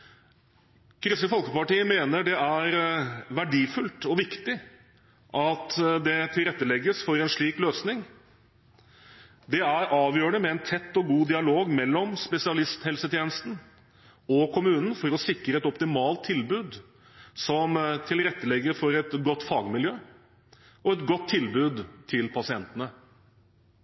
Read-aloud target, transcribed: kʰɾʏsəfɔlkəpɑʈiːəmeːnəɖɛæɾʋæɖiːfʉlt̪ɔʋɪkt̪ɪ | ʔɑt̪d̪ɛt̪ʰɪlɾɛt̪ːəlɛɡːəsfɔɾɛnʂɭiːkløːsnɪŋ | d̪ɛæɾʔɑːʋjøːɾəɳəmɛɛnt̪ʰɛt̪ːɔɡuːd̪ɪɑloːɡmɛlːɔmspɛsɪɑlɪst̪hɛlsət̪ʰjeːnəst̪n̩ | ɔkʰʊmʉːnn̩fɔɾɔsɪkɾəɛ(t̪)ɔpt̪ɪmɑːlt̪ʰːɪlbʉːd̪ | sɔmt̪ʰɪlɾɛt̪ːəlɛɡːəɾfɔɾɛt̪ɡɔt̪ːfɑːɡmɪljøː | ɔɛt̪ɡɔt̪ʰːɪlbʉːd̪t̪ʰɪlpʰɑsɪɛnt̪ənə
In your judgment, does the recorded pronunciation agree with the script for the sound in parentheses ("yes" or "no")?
yes